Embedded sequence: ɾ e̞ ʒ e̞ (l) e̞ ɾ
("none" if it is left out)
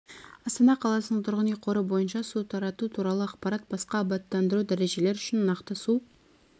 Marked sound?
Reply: l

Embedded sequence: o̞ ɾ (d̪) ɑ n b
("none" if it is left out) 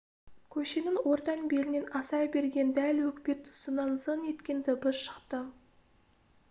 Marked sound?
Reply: t̪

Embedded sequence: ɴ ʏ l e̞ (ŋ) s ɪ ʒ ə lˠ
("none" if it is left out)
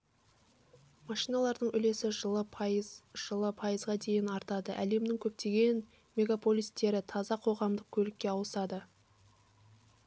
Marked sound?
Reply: none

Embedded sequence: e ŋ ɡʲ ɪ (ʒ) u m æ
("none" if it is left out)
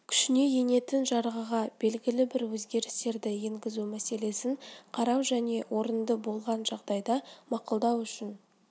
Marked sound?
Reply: z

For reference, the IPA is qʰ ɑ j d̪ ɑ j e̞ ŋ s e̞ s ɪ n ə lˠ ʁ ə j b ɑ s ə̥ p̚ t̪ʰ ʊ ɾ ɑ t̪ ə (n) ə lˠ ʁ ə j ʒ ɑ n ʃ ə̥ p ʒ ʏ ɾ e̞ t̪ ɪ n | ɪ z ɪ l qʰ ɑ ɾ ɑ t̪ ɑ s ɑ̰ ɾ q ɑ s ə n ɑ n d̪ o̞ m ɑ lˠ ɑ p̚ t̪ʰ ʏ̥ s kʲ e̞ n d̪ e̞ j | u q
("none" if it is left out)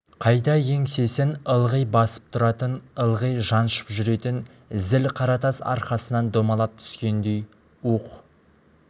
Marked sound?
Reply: n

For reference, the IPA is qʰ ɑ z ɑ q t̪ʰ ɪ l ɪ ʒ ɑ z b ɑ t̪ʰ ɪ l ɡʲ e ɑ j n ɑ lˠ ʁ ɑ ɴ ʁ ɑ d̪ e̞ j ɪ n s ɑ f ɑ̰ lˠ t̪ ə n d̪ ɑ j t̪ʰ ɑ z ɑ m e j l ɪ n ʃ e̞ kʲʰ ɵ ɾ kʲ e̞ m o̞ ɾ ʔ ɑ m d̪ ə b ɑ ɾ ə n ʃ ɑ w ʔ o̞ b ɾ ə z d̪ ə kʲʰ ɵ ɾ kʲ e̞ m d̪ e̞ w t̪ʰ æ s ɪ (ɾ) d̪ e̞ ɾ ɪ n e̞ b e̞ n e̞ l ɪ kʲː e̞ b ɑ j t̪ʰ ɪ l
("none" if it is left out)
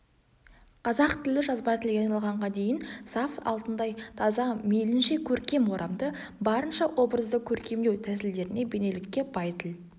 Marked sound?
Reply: l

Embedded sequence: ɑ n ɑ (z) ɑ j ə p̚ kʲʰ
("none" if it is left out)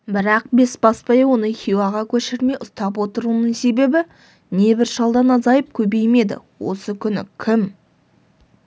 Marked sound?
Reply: z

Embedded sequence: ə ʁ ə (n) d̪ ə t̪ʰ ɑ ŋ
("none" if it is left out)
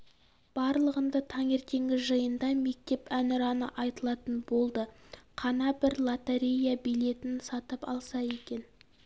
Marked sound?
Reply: n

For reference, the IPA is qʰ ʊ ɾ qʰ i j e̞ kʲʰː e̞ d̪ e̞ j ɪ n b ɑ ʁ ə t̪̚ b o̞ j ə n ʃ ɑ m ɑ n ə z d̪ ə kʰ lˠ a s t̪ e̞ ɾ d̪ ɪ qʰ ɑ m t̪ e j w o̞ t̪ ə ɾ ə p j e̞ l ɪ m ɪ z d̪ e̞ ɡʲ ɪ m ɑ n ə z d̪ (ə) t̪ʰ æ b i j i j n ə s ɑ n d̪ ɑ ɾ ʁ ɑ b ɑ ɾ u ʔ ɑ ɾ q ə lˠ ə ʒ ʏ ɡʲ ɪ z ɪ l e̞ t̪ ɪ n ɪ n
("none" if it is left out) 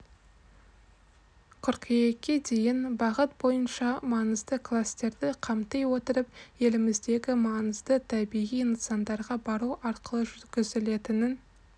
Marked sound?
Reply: ə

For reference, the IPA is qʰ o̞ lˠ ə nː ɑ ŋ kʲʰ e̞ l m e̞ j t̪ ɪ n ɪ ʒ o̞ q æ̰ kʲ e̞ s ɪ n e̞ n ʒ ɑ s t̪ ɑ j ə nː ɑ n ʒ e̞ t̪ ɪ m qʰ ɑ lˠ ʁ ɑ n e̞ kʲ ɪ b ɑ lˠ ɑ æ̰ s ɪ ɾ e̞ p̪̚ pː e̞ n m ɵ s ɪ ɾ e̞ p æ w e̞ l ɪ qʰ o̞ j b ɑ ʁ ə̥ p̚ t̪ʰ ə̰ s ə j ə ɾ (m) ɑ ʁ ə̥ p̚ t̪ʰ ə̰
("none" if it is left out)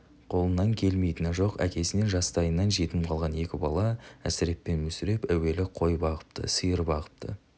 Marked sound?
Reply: b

